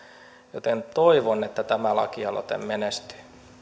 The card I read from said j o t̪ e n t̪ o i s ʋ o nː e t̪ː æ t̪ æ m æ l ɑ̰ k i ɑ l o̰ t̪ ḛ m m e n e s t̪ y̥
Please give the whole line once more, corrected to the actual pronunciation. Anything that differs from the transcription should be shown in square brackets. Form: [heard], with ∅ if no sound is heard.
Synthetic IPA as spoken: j o t̪ e n t̪ o i [∅] ʋ o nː e t̪ː æ t̪ æ m æ l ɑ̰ k i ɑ l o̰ t̪ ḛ m m e n e s t̪ y̥